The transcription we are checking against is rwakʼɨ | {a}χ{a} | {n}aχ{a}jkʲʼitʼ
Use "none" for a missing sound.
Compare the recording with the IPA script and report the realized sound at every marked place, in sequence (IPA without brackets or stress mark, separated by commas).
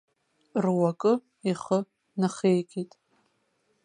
i, ə, n, e